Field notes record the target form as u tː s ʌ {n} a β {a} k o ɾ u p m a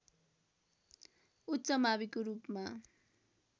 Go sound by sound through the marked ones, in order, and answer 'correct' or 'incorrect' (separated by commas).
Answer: incorrect, incorrect